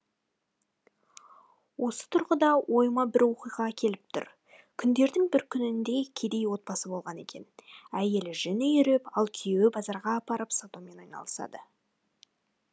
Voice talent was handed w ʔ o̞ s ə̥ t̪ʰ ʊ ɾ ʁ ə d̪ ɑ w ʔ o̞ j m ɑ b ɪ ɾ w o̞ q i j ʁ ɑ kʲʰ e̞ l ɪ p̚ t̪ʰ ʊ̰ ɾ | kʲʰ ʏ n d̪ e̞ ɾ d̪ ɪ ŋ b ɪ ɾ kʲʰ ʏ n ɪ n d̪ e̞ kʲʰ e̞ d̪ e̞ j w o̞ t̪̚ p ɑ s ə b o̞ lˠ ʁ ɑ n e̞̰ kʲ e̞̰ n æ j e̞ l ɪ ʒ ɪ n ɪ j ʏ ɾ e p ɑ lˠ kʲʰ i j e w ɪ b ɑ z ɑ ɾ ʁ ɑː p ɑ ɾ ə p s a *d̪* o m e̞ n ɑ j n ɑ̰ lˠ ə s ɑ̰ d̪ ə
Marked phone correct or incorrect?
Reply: incorrect